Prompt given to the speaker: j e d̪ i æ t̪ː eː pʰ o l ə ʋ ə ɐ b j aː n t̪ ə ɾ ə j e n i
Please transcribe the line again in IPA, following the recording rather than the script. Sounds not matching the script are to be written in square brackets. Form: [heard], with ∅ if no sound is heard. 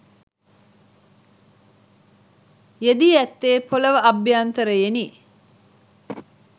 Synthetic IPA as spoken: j e d̪ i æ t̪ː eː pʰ o l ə ʋ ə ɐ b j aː n t̪ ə ɾ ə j e n i